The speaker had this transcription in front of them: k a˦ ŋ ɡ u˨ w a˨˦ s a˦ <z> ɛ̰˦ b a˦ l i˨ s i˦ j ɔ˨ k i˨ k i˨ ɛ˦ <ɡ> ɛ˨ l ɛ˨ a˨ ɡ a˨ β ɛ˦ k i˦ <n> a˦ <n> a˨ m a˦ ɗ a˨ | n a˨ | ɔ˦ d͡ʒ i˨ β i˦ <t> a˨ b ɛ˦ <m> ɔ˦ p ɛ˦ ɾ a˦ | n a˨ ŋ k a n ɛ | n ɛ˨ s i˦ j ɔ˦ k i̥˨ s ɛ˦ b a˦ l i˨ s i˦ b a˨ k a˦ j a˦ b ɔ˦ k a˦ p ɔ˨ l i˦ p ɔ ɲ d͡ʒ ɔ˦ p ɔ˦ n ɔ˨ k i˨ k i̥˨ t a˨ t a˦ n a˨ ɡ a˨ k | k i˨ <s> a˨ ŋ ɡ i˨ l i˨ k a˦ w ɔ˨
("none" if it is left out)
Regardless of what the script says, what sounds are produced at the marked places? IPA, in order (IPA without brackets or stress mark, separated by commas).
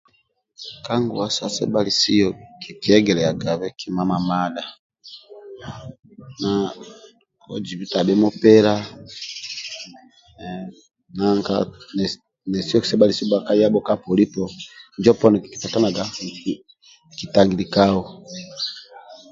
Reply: s, ɡ, m, m, t, m, t